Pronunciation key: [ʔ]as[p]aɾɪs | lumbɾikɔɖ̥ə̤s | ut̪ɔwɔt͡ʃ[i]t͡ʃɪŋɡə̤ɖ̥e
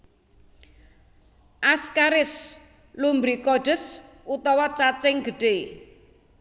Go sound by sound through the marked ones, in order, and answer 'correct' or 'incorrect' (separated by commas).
correct, incorrect, incorrect